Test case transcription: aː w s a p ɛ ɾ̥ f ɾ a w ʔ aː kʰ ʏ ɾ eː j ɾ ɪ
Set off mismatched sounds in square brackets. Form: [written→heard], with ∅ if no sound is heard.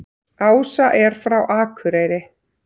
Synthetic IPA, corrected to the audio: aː w s a [p→ʔ] ɛ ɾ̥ f ɾ a w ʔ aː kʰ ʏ ɾ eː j ɾ ɪ